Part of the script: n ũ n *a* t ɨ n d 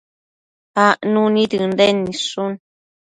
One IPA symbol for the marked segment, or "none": i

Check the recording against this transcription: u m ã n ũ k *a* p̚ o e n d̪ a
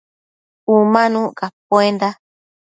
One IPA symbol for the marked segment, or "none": a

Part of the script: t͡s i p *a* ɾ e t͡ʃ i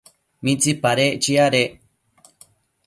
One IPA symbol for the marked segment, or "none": a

